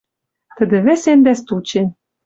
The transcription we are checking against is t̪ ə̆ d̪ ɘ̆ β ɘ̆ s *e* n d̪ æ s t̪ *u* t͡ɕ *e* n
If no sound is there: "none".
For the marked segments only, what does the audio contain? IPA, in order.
e, u, e

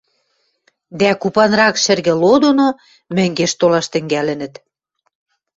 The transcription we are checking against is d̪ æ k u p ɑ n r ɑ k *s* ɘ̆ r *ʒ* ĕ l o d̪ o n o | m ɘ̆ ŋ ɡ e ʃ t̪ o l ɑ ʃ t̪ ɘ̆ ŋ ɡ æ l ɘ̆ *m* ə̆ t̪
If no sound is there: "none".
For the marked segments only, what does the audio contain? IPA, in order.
ʃ, ɣ, n

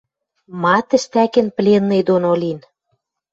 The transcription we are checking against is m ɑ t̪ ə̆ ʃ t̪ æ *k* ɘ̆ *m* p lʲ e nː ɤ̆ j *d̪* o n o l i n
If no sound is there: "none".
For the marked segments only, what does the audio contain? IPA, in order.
k, n, d̪

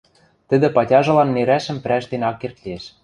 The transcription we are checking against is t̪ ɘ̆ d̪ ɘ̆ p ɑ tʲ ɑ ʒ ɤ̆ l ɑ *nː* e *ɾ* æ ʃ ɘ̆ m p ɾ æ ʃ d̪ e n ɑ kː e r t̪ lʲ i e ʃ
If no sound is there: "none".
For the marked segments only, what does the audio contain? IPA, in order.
nː, ɾ

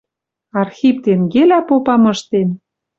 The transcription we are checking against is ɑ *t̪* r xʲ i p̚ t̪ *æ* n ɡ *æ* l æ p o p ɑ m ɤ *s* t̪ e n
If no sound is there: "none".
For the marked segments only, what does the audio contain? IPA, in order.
none, e, e, ʃ

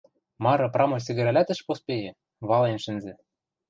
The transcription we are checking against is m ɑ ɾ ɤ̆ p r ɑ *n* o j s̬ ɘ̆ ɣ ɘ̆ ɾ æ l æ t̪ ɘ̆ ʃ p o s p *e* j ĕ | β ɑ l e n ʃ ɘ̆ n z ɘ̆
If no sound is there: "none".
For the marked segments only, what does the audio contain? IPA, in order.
m, e

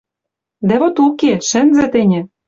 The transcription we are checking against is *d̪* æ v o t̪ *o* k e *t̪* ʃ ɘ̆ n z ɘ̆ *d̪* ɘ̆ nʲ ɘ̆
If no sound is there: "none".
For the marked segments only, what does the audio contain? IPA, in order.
d̪, u, none, t̪

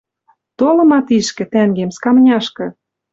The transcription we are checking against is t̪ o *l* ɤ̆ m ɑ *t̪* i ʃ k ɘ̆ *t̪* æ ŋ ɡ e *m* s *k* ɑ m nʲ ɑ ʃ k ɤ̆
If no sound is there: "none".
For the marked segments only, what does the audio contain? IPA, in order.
l, t̪, t̪, m, k

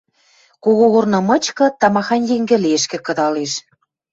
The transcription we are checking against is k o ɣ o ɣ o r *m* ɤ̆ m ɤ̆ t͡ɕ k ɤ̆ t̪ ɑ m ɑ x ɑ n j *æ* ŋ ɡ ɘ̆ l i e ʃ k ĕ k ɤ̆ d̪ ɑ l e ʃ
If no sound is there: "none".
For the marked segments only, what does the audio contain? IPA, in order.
n, e

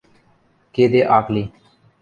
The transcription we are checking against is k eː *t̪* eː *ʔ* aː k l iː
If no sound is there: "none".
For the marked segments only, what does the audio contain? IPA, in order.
d̪, ʔ

